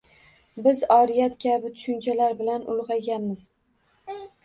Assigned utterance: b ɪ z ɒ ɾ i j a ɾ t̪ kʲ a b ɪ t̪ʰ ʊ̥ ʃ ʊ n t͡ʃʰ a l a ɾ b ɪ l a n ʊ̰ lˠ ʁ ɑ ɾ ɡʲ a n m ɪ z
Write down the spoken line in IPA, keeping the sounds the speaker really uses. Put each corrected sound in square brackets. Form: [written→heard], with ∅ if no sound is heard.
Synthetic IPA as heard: b ɪ z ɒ ɾ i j a [ɾ→∅] t̪ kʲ a b ɪ t̪ʰ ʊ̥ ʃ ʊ n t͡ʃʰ a l a ɾ b ɪ l a n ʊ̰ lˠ ʁ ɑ [ɾ→∅] ɡʲ a n m ɪ z